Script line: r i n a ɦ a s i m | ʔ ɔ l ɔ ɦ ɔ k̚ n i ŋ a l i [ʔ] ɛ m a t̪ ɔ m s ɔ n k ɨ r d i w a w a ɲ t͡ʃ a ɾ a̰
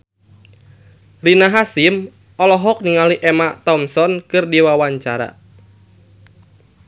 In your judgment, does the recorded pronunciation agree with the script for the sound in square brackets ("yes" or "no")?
yes